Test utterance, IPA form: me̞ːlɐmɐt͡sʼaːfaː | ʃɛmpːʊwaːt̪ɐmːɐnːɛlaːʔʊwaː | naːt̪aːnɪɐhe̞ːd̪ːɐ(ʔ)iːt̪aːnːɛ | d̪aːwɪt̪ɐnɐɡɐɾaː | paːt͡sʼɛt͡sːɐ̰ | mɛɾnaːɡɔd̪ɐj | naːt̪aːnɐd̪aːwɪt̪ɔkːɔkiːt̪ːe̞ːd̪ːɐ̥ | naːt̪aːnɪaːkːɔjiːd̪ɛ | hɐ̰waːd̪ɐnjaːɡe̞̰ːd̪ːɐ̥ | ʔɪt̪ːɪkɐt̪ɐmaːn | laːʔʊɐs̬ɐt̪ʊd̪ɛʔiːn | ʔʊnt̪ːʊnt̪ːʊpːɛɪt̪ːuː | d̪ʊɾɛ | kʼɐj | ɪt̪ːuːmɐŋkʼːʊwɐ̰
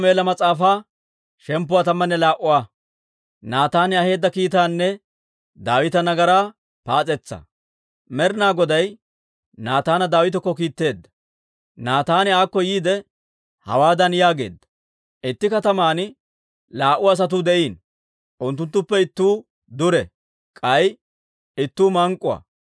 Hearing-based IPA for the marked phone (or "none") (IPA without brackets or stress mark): k